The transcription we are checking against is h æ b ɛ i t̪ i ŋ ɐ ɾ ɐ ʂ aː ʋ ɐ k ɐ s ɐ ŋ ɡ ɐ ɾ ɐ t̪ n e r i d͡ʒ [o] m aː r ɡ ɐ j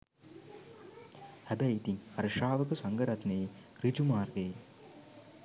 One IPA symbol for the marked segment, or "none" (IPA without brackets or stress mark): u